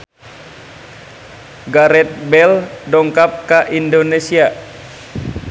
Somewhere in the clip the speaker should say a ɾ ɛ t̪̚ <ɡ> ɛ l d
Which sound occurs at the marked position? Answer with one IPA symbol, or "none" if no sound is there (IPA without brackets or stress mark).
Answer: b